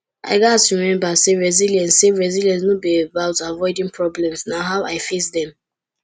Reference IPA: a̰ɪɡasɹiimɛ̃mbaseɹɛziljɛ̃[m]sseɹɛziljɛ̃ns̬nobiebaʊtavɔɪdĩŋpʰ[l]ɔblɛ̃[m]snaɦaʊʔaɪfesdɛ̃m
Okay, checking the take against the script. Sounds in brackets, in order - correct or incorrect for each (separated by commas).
incorrect, incorrect, correct